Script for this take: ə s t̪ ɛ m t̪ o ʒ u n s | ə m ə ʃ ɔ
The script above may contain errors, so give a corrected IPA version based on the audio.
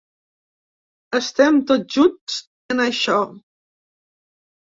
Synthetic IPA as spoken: ə s t̪ ɛ m t̪ o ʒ u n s | ə n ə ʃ ɔ